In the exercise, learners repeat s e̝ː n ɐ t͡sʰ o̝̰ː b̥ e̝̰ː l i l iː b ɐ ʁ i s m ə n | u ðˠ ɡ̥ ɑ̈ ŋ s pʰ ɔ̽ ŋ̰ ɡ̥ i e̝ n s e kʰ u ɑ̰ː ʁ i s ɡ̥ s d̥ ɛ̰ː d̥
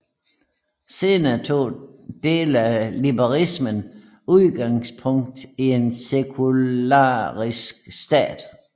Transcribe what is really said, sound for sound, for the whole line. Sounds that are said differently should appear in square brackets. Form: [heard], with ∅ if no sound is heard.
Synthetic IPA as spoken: s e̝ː n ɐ t͡sʰ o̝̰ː [d̥] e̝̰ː l [æ] l [i] b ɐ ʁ i s m ə n | u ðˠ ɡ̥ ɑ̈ ŋ s pʰ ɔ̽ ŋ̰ [d̥] i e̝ n s e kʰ u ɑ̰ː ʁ i s ɡ̥ s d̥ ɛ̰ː d̥

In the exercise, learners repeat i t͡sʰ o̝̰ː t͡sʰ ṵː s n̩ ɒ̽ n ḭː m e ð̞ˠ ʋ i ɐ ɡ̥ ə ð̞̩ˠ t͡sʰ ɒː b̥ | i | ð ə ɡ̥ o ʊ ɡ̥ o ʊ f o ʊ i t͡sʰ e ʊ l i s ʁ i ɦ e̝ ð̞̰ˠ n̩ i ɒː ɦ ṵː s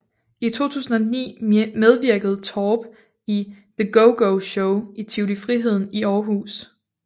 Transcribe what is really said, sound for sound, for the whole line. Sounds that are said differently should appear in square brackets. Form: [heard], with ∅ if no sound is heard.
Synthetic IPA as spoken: i t͡sʰ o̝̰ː t͡sʰ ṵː s n̩ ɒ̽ n ḭː m e ð̞ˠ ʋ i ɐ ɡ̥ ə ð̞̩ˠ t͡sʰ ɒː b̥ | i | ð ə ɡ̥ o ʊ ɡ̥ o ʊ [ɕ] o ʊ i t͡sʰ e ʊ l i [f] ʁ i ɦ e̝ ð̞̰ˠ n̩ i ɒː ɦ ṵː s

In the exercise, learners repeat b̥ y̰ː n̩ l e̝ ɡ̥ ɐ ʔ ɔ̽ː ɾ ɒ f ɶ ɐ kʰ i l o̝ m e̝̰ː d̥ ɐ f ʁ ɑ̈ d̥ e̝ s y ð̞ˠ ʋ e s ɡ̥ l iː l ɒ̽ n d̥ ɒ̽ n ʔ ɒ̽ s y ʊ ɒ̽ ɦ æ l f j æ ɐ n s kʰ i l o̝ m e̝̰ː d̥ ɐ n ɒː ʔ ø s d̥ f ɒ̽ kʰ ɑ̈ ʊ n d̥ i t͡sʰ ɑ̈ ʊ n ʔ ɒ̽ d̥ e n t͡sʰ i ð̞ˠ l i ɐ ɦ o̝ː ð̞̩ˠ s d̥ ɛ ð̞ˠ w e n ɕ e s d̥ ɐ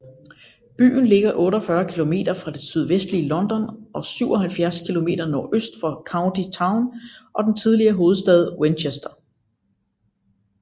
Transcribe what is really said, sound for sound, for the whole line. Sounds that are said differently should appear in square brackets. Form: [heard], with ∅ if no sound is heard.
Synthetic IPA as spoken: b̥ y̰ː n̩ l e̝ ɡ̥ ɐ ʔ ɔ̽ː ɾ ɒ f ɶ ɐ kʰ i l o̝ m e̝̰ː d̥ ɐ f ʁ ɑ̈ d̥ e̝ s y ð̞ˠ ʋ e s [d̥] l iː l ɒ̽ n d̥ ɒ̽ n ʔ ɒ̽ s y ʊ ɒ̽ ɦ æ l f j æ ɐ [∅] s kʰ i l o̝ m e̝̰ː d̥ ɐ n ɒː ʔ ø s d̥ f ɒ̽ kʰ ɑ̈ ʊ n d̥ i t͡sʰ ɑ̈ ʊ n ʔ ɒ̽ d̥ e n t͡sʰ i ð̞ˠ l i ɐ ɦ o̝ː ð̞̩ˠ s d̥ ɛ ð̞ˠ w e n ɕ e s d̥ ɐ

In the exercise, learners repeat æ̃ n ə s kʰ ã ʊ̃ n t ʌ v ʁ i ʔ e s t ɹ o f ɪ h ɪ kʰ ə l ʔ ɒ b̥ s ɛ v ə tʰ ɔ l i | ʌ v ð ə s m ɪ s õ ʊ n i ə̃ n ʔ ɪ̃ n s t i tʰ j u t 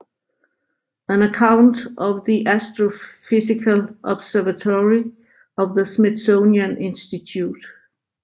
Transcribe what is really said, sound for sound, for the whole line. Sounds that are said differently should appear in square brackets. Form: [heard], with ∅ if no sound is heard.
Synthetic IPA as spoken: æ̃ n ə [∅] kʰ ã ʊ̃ n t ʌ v [ð] i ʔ [æ] s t ɹ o f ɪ [s] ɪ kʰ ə l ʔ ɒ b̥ s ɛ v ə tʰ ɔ [ɹ] i | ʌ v ð ə s m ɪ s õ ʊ n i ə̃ n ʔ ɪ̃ n s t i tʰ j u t

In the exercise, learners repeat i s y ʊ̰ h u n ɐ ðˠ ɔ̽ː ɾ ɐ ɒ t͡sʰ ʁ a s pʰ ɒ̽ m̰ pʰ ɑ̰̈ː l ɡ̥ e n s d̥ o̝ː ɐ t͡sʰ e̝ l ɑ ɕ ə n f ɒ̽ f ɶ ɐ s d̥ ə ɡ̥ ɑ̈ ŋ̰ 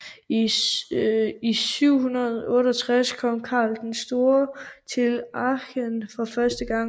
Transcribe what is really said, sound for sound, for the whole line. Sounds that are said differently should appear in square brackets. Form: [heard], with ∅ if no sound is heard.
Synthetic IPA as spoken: i s y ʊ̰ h u n ɐ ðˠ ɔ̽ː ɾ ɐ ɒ t͡sʰ ʁ a s [kʰ] ɒ̽ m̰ [kʰ] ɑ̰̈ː l [d̥] e n s d̥ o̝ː ɐ t͡sʰ e̝ l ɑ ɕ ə n f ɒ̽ f ɶ ɐ s d̥ ə ɡ̥ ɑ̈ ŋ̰

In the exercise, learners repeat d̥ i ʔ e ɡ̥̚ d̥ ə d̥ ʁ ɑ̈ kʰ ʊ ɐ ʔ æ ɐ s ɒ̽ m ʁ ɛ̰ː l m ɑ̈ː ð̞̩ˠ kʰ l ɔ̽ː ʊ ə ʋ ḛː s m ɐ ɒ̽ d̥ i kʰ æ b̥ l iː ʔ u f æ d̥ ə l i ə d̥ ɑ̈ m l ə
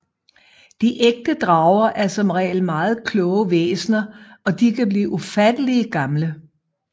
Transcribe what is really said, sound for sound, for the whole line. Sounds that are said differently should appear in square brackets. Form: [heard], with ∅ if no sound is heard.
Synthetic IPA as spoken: d̥ i ʔ e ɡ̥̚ d̥ ə d̥ ʁ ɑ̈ [∅] ʊ ɐ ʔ æ ɐ s ɒ̽ m ʁ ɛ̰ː l m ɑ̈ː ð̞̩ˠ kʰ l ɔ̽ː ʊ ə ʋ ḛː s [n] ɐ ɒ̽ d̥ i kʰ æ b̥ l iː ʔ u f æ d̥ ə l i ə [ɡ̥] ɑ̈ m l ə

